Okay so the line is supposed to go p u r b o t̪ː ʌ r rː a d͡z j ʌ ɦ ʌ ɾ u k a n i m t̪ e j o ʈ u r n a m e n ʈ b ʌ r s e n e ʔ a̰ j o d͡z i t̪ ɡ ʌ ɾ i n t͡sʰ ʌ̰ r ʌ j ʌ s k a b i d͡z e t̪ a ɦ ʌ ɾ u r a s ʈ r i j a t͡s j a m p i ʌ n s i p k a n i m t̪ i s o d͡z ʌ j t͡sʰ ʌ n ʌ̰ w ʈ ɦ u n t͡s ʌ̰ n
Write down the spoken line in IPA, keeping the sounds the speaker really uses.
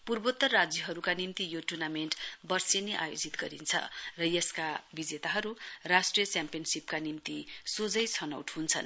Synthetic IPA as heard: p u r b o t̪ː ʌ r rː a d͡z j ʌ ɦ ʌ ɾ u k a n i m t̪ i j o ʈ u r n a m e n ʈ b ʌ r s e n e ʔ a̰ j o d͡z i t̪ ɡ ʌ ɾ i n t͡sʰ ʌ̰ r ʌ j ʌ s k a b i d͡z e t̪ a ɦ ʌ ɾ u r a s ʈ r i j ʌ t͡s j a m p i ʌ n s i p k a n i m t̪ i s o d͡z ʌ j t͡sʰ ʌ n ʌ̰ w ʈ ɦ u n t͡sʰ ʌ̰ n